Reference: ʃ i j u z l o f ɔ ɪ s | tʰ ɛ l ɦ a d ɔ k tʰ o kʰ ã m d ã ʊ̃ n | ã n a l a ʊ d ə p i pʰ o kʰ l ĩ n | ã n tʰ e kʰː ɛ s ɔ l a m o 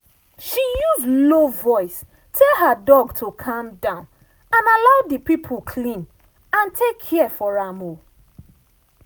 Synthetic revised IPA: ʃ i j u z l o v ɔ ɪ s | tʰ ɛ l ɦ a d ɔ ɡ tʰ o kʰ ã m d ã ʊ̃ n | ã n a l a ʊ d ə p i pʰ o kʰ l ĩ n | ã n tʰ e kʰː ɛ f ɔ ɹ a m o